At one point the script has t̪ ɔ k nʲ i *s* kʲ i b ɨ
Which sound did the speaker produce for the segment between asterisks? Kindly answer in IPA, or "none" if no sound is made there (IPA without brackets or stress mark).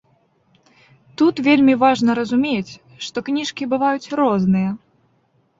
ʂ